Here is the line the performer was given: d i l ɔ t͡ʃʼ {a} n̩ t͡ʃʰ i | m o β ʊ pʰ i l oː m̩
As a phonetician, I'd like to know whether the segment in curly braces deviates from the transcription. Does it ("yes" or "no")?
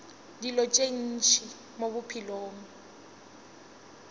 yes